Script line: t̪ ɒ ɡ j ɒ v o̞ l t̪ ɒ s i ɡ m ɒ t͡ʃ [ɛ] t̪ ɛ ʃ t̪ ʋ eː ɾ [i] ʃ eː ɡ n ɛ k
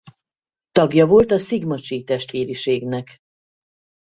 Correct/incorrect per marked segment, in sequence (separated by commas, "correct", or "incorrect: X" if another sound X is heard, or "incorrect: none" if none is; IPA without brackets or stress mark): incorrect: i, correct